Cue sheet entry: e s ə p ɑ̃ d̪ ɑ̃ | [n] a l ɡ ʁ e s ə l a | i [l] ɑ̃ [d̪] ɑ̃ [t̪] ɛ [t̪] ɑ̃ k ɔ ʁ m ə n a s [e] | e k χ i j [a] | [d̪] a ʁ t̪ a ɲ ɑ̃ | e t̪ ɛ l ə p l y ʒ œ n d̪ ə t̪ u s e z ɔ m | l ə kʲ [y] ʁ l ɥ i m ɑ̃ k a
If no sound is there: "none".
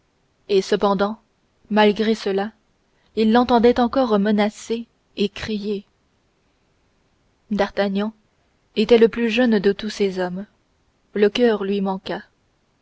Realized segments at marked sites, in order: m, lː, t̪, d̪, t̪, e, e, d̪, œ

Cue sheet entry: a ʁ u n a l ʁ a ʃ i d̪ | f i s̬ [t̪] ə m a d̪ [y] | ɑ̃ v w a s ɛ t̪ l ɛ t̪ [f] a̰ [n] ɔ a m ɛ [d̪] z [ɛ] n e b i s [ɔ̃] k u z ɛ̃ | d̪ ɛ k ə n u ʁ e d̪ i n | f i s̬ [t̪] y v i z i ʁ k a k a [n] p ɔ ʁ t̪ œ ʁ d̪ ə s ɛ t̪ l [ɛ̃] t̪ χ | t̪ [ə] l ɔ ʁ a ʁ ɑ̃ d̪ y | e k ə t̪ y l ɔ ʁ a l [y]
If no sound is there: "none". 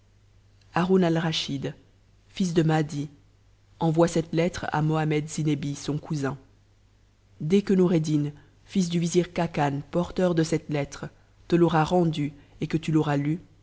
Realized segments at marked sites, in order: d̪, i, χ, m, d̪, i, ɔ̃, d̪, n, ɛ, ə, y

